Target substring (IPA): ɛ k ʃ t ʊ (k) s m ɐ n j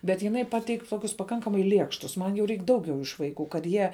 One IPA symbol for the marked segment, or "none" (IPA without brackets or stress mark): none